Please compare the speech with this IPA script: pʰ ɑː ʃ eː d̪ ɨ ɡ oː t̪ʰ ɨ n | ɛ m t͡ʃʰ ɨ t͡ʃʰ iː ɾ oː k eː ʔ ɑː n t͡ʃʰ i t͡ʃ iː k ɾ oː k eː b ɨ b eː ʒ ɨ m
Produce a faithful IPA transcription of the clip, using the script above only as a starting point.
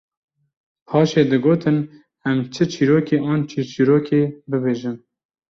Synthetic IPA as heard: pʰ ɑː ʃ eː d̪ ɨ ɡ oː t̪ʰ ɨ n | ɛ m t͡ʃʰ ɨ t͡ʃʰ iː ɾ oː k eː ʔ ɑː n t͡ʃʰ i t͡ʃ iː ɾ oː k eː b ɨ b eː ʒ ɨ m